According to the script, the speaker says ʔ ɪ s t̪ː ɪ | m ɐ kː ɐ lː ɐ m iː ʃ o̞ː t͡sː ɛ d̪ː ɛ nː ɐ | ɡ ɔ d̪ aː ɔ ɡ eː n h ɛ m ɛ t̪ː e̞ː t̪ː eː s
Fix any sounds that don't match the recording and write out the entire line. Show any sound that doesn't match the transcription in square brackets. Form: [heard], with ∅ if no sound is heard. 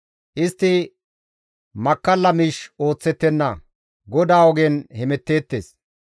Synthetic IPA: ʔ ɪ s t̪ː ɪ | m ɐ kː ɐ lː ɐ m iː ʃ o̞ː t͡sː ɛ [t̪ː] ɛ nː ɐ | ɡ ɔ d̪ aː ɔ ɡ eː n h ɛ m ɛ t̪ː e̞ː t̪ː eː s